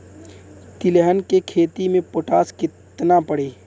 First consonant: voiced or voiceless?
voiceless